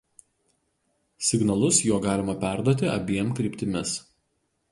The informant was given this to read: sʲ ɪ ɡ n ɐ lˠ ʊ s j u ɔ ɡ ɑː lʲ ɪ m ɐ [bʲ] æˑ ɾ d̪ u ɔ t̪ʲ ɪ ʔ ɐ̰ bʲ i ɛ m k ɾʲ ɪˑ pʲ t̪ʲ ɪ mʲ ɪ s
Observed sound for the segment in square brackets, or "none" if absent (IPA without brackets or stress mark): pʲ